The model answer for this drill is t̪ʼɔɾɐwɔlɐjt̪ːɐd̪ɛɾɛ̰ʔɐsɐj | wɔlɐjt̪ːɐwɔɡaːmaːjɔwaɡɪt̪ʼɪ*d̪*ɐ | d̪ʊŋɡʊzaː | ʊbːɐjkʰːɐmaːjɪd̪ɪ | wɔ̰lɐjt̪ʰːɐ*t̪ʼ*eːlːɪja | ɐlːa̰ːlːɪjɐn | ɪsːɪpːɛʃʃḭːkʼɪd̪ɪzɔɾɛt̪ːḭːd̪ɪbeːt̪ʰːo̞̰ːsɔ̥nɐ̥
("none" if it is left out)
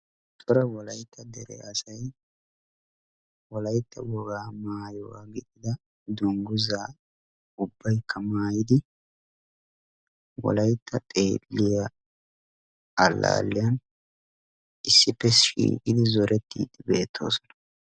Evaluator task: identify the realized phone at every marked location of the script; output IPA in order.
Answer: d̪, t̪ʼ

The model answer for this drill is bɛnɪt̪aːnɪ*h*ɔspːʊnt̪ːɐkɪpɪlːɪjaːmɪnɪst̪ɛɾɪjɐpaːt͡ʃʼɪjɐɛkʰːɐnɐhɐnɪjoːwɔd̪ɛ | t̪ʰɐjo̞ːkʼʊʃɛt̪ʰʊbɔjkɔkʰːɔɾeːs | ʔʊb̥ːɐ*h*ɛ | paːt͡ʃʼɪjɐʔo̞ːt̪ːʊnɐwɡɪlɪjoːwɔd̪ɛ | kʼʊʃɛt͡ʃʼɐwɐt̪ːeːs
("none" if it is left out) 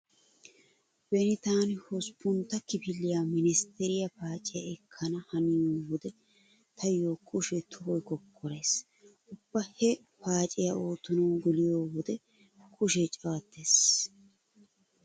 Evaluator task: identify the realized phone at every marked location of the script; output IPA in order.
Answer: h, h

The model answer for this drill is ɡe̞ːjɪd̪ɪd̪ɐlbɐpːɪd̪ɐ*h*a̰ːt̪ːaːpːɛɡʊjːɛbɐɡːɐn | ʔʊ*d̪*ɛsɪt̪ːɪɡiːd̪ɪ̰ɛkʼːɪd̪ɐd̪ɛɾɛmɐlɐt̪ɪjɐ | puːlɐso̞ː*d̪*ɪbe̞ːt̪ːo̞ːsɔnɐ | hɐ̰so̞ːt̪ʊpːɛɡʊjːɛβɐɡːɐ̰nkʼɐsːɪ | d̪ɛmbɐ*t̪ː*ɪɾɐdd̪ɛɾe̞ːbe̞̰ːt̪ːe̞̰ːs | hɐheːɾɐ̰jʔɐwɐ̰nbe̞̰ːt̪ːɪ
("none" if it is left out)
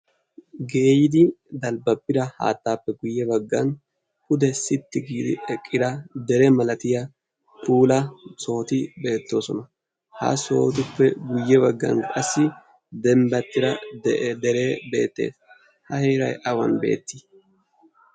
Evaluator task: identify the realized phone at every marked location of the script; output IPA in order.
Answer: h, d̪, t̪, t̪ː

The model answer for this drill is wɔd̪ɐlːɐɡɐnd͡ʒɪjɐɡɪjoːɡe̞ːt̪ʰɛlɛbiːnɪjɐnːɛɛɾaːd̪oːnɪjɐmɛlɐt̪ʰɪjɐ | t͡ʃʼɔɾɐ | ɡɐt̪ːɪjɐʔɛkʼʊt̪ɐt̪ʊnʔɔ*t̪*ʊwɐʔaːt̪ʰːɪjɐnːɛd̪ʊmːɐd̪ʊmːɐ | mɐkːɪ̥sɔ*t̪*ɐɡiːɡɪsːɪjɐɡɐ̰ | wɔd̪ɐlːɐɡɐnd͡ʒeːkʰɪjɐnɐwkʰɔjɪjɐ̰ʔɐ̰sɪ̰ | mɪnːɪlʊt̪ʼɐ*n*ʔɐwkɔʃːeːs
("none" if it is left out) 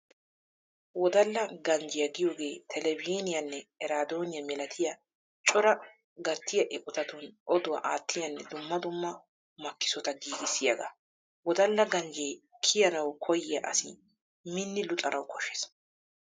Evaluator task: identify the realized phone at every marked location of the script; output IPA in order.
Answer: d̪, t̪, n

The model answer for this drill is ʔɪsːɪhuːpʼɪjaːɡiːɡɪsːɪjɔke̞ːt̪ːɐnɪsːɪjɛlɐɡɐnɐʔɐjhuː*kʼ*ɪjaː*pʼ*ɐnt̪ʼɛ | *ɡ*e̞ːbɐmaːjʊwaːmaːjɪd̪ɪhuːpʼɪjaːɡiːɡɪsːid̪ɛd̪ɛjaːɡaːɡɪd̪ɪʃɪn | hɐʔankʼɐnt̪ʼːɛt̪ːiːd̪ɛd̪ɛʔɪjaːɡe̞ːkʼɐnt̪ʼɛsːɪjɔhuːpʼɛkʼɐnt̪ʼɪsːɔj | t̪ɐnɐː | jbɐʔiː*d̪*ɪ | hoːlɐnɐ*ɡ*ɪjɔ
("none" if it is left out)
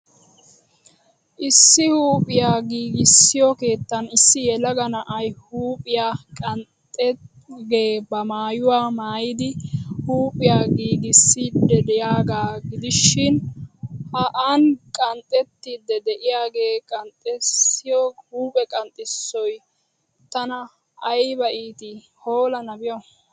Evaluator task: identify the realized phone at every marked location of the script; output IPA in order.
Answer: pʼ, kʼ, ɡ, t̪, b

